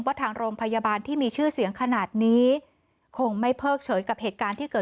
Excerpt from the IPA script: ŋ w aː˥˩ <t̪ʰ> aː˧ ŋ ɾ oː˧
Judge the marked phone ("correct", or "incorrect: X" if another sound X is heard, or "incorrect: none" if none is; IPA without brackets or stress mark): correct